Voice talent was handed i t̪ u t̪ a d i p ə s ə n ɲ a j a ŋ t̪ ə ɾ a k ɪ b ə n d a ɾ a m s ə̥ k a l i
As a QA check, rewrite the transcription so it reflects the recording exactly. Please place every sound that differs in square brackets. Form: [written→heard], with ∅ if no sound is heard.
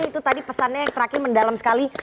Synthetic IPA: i t̪ u t̪ a d i p ə s [ə→a] n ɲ a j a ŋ t̪ ə ɾ a k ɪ [b→m] ə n d a [ɾ→l] a m s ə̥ k a l i